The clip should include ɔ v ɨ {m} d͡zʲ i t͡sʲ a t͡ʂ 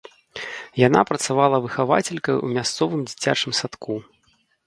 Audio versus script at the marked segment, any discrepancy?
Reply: no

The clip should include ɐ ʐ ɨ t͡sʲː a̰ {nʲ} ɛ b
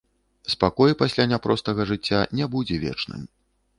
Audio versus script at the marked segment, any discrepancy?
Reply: no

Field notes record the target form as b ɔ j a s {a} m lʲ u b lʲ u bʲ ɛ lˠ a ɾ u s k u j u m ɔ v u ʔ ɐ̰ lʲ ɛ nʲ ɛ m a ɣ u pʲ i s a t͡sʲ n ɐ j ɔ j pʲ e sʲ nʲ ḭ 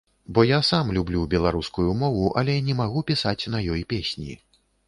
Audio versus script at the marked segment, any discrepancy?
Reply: no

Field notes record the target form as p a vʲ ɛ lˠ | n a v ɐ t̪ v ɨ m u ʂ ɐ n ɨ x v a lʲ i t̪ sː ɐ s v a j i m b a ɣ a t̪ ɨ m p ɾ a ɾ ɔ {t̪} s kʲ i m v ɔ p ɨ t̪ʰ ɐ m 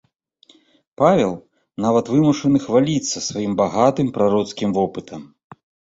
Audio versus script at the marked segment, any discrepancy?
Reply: no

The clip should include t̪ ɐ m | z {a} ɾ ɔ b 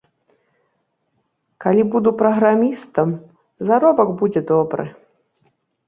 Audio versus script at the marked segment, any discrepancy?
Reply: no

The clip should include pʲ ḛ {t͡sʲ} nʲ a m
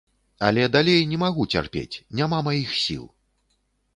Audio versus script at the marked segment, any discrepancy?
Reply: no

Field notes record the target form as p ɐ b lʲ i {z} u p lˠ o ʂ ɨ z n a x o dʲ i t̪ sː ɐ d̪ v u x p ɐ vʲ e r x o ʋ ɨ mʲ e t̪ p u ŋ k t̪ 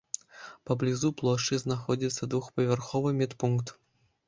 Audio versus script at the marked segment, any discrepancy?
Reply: no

